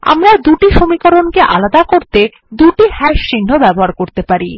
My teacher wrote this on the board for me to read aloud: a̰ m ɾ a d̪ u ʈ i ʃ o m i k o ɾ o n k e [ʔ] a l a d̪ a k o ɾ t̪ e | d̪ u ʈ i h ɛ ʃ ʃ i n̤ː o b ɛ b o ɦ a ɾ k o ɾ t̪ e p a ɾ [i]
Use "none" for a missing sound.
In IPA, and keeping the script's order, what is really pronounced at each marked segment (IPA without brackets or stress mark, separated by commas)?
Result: ʔ, i